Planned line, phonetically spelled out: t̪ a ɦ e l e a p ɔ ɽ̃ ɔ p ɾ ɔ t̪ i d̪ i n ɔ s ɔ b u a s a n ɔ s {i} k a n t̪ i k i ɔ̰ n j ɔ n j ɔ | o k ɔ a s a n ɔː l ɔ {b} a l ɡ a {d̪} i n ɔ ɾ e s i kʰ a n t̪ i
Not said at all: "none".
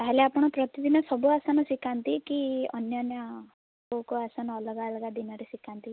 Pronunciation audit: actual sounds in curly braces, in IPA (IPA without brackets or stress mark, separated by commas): i, ɡ, d̪